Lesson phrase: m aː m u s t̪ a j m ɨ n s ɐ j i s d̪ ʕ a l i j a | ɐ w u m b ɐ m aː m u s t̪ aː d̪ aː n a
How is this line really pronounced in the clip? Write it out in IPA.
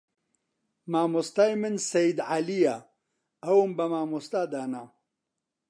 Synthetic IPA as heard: m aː m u s t̪ a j m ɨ n s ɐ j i d̪ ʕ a l i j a | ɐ w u m b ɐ m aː m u s t̪ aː d̪ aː n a